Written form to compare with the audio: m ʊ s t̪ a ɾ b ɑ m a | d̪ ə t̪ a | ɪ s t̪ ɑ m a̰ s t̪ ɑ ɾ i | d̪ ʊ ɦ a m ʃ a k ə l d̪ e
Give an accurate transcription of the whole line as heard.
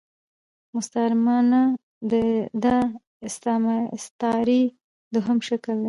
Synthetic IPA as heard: m ʊ s t̪ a ɾ m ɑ n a | d̪ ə d̪ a | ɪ s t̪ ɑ m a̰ s t̪ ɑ ɾ i | d̪ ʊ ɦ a m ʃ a k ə l d̪ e